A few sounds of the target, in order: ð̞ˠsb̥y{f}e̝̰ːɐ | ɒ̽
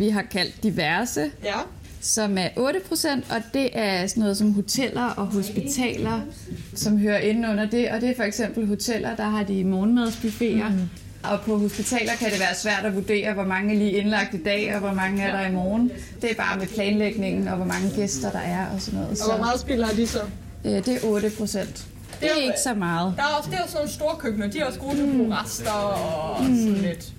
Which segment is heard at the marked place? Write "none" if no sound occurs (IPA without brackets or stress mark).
f